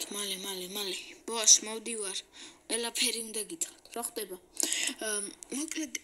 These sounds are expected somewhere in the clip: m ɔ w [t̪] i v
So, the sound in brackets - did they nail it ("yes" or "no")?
no